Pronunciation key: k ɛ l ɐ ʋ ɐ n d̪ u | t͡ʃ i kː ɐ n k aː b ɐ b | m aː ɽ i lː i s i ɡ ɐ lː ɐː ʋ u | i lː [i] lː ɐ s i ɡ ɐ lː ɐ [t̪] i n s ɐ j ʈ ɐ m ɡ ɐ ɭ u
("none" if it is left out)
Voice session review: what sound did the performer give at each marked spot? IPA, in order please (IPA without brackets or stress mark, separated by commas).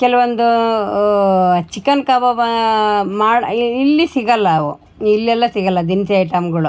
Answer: ɛ, d̪